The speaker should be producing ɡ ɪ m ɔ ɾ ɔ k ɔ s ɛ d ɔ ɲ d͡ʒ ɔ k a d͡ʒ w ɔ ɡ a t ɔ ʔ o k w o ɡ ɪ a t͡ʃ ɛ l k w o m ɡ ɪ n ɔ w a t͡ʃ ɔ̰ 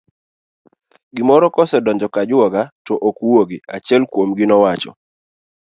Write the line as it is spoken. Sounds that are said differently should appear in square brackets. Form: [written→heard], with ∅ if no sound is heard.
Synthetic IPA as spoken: ɡ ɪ m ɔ ɾ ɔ k ɔ s ɛ d ɔ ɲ d͡ʒ ɔ k a d͡ʒ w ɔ ɡ a t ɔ ʔ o k w o ɡ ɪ a t͡ʃ ɛ l k w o m ɡ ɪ n ɔ w a t͡ʃ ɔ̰